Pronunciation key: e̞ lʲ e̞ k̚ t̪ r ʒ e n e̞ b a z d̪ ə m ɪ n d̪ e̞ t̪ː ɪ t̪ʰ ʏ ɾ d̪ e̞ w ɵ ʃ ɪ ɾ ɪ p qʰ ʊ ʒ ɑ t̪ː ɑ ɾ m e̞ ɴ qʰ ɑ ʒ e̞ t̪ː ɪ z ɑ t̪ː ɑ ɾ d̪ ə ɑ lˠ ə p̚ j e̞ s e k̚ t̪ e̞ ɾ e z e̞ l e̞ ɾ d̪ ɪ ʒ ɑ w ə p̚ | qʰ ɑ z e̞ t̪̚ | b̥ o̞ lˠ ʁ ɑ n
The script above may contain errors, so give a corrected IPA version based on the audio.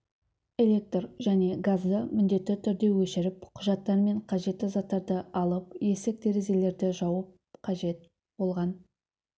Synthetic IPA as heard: e̞ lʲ e̞ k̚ t̪ r ʒ æ n e̞ ɡ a z d̪ ə m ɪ n d̪ e̞ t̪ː ɪ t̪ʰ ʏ ɾ d̪ e̞ w ɵ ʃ ɪ ɾ ɪ p qʰ ʊ ʒ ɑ t̪ː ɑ ɾ m e̞ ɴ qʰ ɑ ʒ e̞ t̪ː ɪ z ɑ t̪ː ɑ ɾ d̪ ə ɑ lˠ ə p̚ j e̞ s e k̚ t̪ e̞ ɾ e z e̞ l e̞ ɾ d̪ ɪ ʒ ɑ w ə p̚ | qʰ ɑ ʒ e̞ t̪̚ | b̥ o̞ lˠ ʁ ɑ n